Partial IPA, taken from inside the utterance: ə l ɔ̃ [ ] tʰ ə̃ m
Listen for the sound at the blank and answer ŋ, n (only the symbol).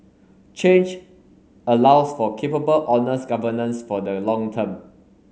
ŋ